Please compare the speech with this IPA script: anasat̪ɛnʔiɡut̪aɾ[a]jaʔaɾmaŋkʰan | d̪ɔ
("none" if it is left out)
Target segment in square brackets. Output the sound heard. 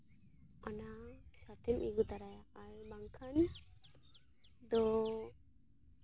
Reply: a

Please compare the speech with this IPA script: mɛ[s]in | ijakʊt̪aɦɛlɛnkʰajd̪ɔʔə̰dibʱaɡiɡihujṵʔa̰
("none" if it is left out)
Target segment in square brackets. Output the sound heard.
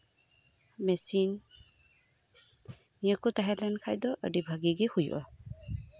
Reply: s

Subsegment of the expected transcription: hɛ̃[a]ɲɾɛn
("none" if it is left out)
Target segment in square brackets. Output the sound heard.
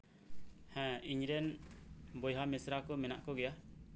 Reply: i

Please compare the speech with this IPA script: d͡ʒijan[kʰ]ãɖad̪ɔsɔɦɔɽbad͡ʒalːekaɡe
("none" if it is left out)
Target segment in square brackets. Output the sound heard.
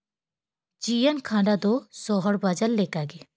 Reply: kʰ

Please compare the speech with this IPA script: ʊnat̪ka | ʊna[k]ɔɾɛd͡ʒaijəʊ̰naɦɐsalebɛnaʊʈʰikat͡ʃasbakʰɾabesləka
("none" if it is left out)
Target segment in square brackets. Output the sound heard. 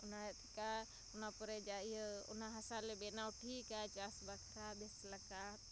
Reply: p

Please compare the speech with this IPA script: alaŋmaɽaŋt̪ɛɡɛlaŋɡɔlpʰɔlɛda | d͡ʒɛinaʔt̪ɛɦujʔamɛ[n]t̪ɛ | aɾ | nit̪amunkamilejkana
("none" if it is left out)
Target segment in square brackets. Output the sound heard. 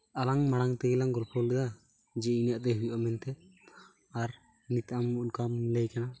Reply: n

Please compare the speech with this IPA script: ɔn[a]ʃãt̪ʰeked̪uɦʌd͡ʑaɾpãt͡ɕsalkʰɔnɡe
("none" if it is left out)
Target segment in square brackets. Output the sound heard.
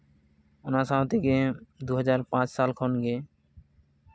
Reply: a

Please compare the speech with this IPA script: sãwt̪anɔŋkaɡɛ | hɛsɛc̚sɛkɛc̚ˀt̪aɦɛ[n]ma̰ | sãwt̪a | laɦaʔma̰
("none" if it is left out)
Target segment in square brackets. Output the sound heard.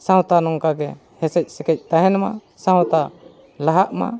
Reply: n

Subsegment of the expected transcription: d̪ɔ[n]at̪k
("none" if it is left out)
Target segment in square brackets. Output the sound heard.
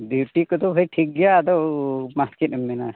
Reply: m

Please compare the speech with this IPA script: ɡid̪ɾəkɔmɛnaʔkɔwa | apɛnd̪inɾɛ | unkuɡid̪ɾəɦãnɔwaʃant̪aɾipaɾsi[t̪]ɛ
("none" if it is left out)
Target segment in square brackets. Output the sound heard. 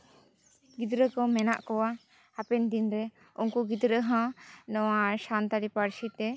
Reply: t̪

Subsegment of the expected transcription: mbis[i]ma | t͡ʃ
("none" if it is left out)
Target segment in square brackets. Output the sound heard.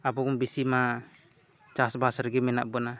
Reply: i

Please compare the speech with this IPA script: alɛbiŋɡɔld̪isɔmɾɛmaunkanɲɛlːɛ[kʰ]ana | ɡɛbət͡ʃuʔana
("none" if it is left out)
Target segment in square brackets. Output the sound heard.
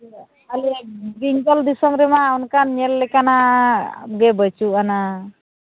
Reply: k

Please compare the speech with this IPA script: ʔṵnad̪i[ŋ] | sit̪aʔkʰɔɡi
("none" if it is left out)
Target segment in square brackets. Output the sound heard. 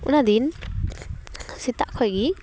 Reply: n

